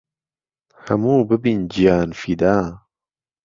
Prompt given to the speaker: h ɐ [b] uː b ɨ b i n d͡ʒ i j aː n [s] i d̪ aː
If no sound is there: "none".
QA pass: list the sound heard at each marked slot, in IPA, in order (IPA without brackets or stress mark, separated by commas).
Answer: m, f